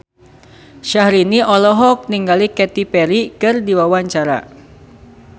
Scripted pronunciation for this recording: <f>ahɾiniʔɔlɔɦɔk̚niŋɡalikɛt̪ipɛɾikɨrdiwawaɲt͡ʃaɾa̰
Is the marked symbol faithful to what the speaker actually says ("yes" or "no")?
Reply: no